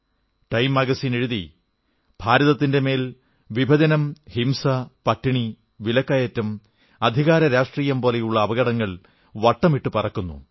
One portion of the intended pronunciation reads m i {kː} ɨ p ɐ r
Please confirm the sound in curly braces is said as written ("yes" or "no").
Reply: no